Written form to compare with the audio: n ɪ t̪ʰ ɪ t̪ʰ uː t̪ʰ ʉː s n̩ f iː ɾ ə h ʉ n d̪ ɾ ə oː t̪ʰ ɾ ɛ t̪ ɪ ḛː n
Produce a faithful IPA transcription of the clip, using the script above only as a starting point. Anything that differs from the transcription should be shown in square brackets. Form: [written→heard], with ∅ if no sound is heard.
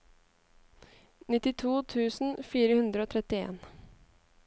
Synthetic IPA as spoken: n ɪ [t̪ʰ→t̪] ɪ t̪ʰ uː t̪ʰ ʉː s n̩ f iː ɾ ə h ʉ n d̪ ɾ ə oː t̪ʰ ɾ ɛ t̪ ɪ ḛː n